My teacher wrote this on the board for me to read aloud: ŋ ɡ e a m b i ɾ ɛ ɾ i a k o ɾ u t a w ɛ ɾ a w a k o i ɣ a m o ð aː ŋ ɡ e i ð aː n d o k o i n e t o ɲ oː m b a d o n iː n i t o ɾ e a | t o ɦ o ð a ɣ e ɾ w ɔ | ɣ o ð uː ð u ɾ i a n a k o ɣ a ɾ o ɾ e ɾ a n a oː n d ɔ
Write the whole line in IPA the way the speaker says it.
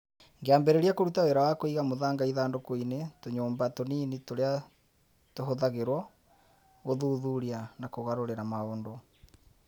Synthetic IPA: ŋ ɡ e a m b ɛ ɾ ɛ ɾ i a k o ɾ u t a w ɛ ɾ a w a k o i ɣ a m o ð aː ŋ ɡ a i ð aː n d o k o i n e t o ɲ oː m b a t o n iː n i t o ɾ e a | t o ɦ o ð a ɣ e ɾ w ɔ | ɣ o ð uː ð u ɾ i a n a k o ɣ a ɾ o ɾ e ɾ a m a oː n d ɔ